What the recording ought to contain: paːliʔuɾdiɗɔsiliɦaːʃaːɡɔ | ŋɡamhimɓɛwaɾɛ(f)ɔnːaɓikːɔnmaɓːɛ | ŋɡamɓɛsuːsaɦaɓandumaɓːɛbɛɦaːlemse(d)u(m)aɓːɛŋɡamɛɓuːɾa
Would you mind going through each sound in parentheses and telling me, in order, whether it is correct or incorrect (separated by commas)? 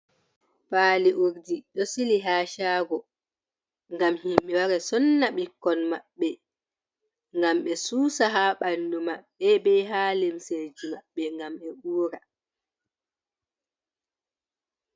incorrect, incorrect, correct